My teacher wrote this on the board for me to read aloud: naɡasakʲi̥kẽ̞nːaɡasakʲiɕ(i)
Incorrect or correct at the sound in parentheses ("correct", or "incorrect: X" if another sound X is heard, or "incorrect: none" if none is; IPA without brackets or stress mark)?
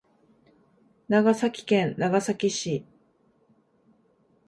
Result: correct